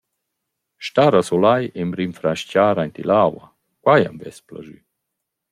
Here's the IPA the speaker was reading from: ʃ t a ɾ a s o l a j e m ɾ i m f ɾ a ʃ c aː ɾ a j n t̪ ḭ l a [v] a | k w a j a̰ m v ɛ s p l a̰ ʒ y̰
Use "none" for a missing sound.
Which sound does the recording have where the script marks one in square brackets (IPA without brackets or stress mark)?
w